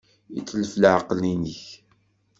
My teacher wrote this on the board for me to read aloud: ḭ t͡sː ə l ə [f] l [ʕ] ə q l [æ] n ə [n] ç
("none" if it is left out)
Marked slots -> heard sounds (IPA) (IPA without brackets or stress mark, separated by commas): f, ʕ, i, none